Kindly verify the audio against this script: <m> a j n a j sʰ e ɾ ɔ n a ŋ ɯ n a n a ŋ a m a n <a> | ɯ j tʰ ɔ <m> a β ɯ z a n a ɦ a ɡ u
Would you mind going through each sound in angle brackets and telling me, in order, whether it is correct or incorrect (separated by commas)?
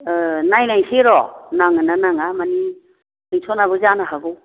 incorrect, incorrect, incorrect